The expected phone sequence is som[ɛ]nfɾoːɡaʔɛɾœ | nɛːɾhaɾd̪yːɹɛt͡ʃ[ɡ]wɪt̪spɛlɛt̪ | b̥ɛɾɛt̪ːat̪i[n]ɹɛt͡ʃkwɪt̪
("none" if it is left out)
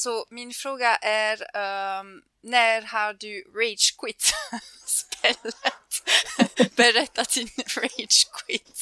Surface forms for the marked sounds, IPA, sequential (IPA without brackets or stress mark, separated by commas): i, k, n